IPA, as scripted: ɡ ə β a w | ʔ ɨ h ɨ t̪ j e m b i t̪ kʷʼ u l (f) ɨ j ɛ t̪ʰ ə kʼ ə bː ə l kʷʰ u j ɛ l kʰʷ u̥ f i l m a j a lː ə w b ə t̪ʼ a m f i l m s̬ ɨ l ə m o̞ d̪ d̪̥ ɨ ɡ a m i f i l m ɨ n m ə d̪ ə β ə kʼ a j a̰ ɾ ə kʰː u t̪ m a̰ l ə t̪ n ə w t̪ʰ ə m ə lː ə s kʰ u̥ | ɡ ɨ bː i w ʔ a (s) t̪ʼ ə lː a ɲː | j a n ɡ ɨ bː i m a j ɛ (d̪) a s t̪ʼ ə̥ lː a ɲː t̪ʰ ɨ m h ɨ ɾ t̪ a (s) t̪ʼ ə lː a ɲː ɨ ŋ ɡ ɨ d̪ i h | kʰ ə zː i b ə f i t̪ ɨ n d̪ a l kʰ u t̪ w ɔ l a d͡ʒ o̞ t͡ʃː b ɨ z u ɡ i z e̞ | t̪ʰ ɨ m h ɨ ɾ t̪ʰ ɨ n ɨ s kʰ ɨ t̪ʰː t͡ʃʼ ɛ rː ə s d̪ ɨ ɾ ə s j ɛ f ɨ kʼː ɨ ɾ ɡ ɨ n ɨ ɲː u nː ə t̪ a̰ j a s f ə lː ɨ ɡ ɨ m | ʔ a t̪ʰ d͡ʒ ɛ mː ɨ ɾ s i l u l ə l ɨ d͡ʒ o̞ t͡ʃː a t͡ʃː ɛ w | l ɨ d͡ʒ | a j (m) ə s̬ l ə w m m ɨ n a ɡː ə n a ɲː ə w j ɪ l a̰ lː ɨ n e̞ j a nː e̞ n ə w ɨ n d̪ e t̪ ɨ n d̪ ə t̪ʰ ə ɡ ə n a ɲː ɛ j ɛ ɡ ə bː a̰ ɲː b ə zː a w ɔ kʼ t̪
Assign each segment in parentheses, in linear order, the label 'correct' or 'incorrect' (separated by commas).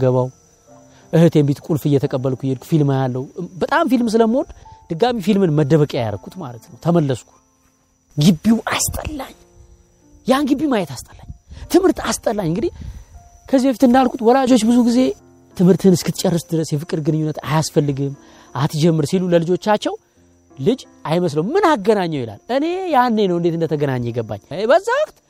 correct, correct, incorrect, correct, correct